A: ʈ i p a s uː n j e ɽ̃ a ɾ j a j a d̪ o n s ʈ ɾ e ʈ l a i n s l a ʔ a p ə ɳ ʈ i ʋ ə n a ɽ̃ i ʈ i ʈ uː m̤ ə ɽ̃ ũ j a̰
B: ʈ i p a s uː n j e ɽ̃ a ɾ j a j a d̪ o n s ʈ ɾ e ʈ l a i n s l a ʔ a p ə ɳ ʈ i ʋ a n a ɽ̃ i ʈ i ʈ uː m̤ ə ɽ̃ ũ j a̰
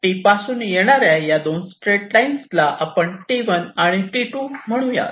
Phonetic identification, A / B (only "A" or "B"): A